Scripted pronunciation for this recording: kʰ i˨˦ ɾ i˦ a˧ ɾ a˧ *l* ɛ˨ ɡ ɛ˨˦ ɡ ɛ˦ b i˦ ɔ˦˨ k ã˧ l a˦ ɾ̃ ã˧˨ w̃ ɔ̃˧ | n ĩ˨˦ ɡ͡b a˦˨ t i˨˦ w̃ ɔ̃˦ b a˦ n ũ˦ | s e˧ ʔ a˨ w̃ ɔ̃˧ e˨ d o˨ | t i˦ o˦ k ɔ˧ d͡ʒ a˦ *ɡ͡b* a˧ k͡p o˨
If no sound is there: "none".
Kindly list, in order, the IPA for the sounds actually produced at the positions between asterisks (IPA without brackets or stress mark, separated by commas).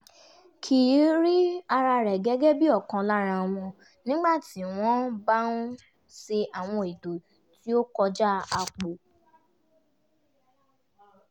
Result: ɾ, none